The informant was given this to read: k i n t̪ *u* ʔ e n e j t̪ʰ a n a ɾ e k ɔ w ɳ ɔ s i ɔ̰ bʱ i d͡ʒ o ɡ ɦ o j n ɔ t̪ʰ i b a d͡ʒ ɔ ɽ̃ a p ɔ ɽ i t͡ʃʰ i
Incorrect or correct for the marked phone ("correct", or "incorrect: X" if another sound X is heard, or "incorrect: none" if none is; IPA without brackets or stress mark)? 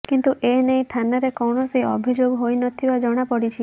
correct